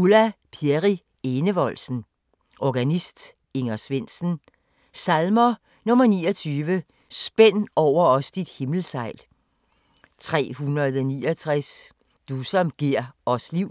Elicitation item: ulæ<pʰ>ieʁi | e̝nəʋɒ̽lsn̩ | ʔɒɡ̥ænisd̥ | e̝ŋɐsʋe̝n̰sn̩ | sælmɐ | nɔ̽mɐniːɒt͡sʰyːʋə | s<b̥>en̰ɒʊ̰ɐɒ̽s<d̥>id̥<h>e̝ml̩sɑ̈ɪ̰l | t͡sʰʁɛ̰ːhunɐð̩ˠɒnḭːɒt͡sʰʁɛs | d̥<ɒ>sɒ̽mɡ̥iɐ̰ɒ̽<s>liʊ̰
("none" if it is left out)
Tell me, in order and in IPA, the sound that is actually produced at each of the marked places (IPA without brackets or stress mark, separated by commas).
pʰ, b̥, d̥, h, u, s